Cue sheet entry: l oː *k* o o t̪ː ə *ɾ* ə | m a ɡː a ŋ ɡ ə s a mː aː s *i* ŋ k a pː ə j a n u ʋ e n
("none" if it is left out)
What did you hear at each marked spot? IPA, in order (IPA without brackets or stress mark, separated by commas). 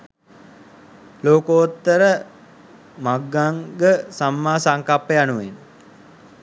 k, ɾ, a